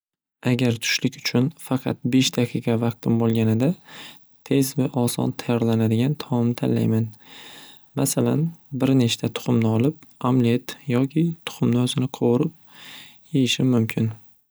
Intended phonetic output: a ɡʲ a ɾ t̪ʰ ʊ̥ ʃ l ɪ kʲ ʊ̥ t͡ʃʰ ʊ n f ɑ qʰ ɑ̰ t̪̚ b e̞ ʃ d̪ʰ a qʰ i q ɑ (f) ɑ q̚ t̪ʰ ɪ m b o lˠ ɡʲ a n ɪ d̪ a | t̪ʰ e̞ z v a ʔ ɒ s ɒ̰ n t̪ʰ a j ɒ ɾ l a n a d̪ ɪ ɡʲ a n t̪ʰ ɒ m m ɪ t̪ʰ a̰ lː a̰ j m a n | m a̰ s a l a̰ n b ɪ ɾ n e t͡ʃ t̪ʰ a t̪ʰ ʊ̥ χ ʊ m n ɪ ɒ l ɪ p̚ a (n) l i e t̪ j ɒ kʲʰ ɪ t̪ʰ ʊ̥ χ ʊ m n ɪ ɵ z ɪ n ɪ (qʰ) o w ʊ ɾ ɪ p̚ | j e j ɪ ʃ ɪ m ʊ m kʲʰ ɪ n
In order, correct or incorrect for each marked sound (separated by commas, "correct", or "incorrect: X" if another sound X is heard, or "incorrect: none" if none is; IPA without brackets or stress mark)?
incorrect: v, incorrect: m, correct